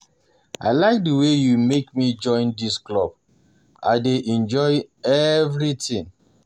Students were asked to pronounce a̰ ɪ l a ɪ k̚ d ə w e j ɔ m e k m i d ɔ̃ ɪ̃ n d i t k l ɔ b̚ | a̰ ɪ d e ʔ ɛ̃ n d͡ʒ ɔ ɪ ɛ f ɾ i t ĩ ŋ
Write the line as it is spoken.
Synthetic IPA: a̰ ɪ l a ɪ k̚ d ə w e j u m e k m i d͡ʒ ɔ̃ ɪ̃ n d i s k l ɔ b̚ | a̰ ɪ d e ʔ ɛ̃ n d͡ʒ ɔ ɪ ɛ v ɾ i t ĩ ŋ